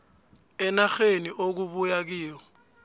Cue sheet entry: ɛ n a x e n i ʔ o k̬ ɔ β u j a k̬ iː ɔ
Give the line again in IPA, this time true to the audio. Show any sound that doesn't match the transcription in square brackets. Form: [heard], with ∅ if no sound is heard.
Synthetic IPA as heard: ɛ n a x e n i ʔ o k̬ [u] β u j a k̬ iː ɔ